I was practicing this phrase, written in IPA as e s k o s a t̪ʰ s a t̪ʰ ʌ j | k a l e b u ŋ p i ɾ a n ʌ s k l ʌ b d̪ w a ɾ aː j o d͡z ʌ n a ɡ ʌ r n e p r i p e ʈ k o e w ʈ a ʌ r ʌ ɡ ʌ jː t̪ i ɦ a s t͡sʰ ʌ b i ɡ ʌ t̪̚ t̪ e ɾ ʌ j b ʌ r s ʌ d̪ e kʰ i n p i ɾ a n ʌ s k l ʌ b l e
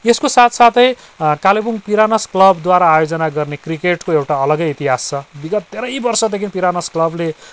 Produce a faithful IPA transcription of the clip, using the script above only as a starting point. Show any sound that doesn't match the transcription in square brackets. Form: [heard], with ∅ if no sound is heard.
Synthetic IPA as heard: e s k o s a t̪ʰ s a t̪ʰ ʌ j | k a l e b u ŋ p i ɾ a n ʌ s k l ʌ b d̪ w a ɾ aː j o d͡z ʌ n a ɡ ʌ r n e [k] r i [k] e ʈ k o e w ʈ a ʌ [l] ʌ ɡ ʌ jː t̪ i ɦ a s t͡sʰ ʌ b i ɡ ʌ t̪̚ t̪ e ɾ ʌ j b ʌ r s ʌ d̪ e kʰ i n p i ɾ a n ʌ s k l ʌ b l e